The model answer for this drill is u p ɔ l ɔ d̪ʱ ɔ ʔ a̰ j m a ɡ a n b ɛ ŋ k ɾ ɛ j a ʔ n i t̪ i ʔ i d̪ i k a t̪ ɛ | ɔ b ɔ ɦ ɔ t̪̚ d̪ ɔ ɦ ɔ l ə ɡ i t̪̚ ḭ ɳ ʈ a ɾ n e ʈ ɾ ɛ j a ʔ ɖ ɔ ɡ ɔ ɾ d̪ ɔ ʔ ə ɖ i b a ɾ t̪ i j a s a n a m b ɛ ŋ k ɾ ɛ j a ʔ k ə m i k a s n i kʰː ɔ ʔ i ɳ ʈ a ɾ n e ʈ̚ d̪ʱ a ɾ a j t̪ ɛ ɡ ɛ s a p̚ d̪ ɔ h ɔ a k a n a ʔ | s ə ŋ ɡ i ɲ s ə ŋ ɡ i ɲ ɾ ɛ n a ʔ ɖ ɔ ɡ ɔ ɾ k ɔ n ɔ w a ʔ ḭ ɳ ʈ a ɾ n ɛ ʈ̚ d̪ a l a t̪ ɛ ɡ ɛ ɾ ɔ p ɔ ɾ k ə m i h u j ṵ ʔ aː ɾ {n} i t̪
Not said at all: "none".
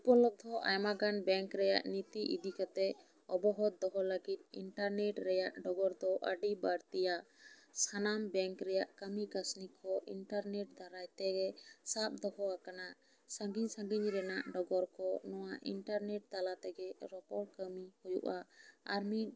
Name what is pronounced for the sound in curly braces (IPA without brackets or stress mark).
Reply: m